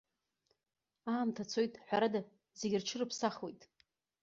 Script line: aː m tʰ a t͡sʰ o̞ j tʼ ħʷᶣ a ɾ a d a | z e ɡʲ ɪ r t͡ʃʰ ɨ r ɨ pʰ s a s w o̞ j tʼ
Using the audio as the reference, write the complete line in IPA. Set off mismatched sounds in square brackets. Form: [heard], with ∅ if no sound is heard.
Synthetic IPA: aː m tʰ a t͡sʰ o̞ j tʼ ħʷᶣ a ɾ a d a | z e ɡʲ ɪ r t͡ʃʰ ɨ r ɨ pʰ s a [χ] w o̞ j tʼ